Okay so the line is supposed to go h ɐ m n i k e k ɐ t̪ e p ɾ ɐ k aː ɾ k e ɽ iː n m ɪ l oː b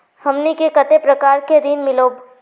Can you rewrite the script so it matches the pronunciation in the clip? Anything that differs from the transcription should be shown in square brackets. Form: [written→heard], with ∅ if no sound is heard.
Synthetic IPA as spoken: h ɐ m n i k e k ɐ t̪ e p ɾ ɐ k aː ɾ k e [ɽ→ɾ] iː n m ɪ l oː b